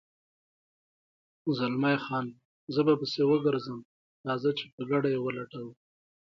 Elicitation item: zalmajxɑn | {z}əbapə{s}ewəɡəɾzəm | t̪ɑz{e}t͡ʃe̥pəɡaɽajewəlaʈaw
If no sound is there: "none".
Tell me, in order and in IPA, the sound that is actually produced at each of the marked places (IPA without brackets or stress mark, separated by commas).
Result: z, s, a